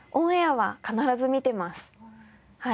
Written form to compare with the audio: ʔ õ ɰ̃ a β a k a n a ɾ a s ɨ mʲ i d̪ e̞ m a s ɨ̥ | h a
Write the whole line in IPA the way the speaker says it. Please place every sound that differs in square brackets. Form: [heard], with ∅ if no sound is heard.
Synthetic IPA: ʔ õ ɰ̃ a β a k a n a ɾ a [z] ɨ mʲ i [t̪] e̞ m a s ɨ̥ | h a